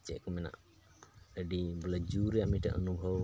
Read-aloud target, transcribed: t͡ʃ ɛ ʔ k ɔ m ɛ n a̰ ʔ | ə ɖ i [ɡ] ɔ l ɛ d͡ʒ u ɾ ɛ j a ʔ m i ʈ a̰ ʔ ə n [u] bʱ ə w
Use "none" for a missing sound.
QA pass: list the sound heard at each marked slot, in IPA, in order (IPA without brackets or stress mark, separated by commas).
b, u